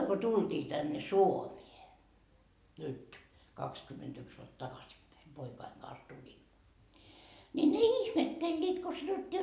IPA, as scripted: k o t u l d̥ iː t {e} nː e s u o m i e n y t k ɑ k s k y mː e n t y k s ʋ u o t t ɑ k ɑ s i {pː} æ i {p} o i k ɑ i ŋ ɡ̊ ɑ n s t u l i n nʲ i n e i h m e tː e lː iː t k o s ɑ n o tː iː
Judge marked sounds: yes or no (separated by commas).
no, yes, yes